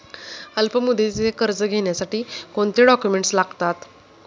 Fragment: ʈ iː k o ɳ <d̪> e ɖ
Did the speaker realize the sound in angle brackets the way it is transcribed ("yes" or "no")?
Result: no